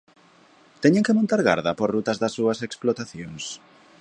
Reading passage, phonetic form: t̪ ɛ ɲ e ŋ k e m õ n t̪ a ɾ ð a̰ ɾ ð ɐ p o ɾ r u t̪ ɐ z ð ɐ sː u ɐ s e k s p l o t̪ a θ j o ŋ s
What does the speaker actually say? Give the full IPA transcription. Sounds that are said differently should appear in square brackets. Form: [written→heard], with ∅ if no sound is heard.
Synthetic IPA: t̪ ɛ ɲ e ŋ k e m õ n t̪ a ɾ [ð→ɣ] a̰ ɾ ð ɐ p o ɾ r u t̪ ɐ z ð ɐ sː u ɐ s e k s p l o t̪ a θ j o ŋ s